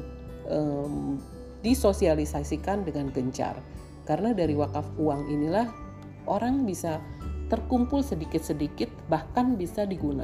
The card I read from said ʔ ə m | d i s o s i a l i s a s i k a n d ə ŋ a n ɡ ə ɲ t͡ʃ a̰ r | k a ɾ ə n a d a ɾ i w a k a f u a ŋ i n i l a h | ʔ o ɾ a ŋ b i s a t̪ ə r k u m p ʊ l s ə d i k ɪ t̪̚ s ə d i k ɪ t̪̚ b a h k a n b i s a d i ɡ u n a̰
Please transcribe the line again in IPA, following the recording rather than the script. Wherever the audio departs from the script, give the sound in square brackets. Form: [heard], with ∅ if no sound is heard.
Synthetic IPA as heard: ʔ ə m | d i s o s i a l i s a s i k a n d ə ŋ a n ɡ ə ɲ t͡ʃ a̰ r | k a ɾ ə n a d a ɾ i w a k a f u a ŋ i n i l a h | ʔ o ɾ a ŋ b i s a t̪ ə r k u m p ʊ l s ə d i k ɪ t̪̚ s ə d i k ɪ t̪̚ b a h k a n b i s a d i ɡ u n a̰